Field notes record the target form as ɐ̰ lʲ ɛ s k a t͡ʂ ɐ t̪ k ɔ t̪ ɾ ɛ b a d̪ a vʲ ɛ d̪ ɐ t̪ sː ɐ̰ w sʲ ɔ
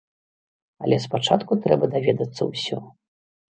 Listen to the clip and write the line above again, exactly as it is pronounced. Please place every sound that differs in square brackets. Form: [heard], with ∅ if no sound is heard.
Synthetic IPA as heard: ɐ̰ lʲ ɛ s [p] a t͡ʂ [a] t̪ k [u] t̪ ɾ ɛ b [ɐ] d̪ a vʲ ɛ d̪ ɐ t̪ sː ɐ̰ w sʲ ɔ